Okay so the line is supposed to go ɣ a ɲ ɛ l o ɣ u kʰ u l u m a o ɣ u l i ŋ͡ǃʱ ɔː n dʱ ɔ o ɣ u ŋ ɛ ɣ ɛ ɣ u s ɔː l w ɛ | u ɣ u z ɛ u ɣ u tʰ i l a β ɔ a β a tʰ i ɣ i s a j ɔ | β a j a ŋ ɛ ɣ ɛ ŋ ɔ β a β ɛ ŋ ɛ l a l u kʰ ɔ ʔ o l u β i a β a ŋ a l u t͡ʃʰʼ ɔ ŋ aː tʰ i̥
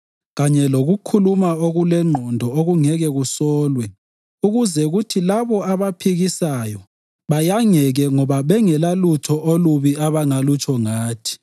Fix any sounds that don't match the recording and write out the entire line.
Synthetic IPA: ɣ a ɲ ɛ l o ɣ u kʰ u l u m a o ɣ u l ɛ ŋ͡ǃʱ ɔ n dʱ ɔ o ɣ u ŋ ɛ ɣ ɛ ɣ u s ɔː l w ɛ | u ɣ u z ɛ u ɣ u tʰ i l a β ɔ a β a pʰ i ɣ i s a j ɔ | β a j a ŋ ɛ ɣ ɛ ŋ ɔ β a β ɛ ŋ ɛ l a l u tʰ ɔ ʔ o l u β i a β a ŋ a l u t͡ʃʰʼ ɔ ŋ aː tʰ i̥